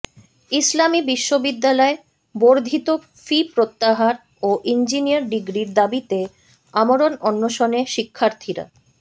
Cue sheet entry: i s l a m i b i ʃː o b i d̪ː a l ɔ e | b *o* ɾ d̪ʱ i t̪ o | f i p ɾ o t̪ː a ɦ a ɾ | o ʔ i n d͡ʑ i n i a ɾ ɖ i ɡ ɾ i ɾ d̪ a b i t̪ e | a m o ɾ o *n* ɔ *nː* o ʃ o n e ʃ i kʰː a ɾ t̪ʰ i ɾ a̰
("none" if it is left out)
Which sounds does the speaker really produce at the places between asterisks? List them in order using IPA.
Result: o, n, nː

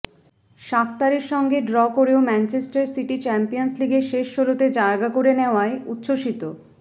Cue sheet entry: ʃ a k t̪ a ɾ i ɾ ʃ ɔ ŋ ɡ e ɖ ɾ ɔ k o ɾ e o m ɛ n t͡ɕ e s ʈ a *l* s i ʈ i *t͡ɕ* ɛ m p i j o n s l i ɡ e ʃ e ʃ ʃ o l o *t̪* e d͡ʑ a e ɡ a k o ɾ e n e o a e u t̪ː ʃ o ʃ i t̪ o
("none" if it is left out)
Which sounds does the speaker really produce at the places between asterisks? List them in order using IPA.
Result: ɾ, t͡ɕ, t̪

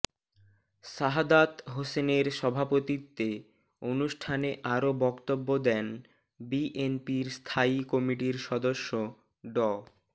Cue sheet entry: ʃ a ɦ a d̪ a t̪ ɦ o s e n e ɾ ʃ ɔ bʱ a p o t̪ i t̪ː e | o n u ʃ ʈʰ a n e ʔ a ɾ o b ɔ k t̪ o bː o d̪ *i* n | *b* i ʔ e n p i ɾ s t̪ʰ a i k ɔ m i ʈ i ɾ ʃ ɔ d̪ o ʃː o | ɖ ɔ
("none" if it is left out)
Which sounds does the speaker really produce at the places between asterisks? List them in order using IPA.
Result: ɛ, b

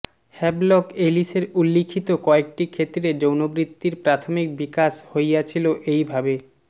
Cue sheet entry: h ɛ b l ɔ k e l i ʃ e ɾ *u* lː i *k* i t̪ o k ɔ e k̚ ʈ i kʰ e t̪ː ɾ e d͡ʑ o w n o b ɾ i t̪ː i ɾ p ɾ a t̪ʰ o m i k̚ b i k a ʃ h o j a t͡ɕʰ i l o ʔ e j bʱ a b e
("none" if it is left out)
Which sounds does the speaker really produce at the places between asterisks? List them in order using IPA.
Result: u, kʰ

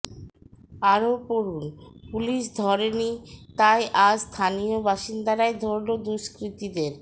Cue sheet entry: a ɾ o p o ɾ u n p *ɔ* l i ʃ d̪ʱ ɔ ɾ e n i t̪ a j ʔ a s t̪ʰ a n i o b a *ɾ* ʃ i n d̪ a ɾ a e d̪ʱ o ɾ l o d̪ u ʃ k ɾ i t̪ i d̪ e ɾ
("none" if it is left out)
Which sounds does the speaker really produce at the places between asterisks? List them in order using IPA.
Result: u, none

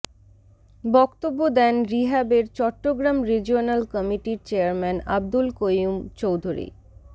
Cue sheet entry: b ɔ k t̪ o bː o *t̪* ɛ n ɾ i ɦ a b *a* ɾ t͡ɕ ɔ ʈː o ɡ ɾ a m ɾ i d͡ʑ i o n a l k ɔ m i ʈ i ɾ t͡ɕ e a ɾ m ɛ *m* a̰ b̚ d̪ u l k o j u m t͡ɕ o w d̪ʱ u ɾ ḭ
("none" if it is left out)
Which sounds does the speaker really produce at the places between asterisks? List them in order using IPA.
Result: d̪, e, n

